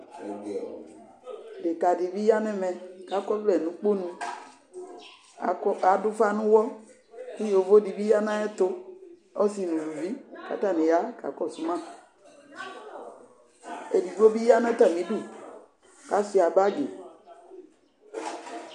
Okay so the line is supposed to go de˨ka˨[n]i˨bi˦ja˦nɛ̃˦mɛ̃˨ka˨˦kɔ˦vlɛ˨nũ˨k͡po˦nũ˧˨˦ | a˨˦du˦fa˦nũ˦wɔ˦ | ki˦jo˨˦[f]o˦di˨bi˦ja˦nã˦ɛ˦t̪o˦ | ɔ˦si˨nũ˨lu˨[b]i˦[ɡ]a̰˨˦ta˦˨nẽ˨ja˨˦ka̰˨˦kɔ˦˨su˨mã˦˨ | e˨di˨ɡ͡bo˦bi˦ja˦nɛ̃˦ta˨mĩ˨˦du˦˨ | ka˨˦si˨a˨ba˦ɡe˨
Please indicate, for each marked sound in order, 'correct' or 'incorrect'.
incorrect, incorrect, incorrect, incorrect

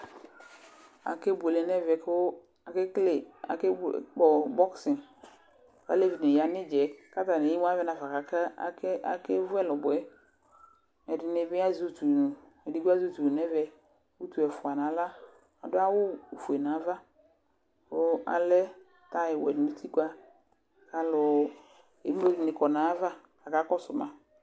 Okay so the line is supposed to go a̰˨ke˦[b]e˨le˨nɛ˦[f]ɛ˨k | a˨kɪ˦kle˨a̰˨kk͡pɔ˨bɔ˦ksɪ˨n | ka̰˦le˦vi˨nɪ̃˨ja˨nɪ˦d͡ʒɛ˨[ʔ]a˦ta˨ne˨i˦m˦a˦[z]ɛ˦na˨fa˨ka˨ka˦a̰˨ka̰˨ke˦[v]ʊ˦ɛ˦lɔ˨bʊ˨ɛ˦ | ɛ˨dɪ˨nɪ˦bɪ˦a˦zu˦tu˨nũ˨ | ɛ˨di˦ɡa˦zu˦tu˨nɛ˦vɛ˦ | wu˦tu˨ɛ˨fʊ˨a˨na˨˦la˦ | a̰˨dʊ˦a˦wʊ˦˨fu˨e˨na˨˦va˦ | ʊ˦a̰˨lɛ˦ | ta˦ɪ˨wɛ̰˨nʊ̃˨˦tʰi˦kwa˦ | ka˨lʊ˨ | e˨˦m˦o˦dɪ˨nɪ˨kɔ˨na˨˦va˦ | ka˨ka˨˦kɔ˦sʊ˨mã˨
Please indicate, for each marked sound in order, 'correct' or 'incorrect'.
correct, incorrect, incorrect, incorrect, correct

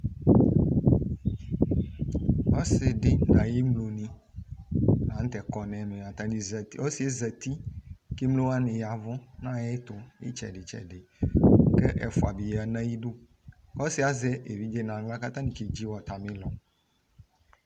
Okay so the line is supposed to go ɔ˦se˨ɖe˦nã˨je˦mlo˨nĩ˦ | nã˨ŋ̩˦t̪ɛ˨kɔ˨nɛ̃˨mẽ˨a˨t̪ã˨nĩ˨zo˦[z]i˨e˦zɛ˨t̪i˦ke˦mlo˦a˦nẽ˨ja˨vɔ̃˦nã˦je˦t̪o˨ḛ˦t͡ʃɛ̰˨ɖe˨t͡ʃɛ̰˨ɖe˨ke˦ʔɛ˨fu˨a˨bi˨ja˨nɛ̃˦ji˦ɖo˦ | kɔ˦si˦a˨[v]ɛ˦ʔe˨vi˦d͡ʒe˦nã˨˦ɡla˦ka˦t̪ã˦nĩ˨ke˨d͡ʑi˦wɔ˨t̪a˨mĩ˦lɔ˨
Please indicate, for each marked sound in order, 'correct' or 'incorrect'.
incorrect, incorrect

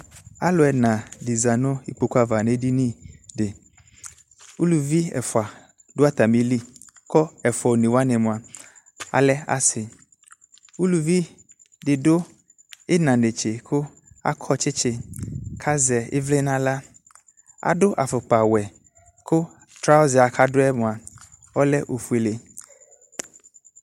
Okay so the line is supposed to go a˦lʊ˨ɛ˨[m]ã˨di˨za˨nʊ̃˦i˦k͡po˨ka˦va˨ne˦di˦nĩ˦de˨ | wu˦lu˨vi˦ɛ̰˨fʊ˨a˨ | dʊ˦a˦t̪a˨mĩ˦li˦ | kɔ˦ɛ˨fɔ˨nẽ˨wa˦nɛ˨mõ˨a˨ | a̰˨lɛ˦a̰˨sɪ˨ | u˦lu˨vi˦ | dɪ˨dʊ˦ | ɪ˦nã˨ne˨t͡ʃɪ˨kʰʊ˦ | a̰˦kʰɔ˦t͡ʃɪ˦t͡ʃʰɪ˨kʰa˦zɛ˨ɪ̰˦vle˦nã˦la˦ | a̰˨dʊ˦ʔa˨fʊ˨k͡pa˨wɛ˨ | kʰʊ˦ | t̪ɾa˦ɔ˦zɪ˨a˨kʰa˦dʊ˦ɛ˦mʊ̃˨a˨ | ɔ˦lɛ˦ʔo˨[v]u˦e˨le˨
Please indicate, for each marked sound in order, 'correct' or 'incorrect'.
incorrect, incorrect

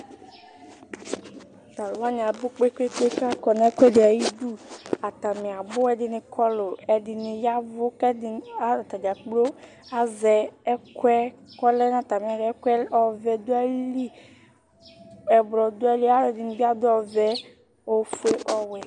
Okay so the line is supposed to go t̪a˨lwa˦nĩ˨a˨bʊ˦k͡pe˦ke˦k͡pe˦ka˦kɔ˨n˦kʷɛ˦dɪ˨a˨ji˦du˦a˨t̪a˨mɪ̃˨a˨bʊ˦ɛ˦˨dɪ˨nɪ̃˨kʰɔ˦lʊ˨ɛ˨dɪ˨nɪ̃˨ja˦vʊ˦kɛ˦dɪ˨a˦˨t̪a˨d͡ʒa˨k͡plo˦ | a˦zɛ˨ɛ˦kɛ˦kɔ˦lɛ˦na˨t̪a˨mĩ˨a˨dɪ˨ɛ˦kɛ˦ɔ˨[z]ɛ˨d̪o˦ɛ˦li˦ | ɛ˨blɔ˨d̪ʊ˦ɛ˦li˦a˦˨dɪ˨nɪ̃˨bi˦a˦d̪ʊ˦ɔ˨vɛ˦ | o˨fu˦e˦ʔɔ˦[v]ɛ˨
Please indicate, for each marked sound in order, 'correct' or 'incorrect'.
incorrect, incorrect

